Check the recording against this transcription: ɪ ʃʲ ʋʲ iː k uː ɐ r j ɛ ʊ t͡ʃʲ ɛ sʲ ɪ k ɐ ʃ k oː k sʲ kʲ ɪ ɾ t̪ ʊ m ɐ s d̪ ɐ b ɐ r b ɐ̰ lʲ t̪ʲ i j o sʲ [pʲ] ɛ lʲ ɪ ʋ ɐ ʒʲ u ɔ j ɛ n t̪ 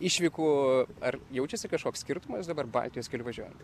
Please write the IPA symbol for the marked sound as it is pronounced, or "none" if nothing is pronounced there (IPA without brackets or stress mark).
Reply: kʲ